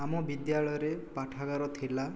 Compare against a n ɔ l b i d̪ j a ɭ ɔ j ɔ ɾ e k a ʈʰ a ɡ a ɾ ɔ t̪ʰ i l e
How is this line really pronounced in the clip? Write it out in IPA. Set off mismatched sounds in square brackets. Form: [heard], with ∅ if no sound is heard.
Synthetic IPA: a [m] ɔ [∅] b i d̪ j a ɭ ɔ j ɔ ɾ e [p] a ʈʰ a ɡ a ɾ ɔ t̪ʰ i l [a]